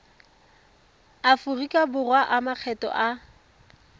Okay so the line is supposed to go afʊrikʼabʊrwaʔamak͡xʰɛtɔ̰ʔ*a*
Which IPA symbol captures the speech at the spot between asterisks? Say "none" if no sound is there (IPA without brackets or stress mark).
a